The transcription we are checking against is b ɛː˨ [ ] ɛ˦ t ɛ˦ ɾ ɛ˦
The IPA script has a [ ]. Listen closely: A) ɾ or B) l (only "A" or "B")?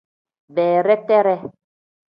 A